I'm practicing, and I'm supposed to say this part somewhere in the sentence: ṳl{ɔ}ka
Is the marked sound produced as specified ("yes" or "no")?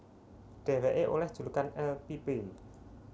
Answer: no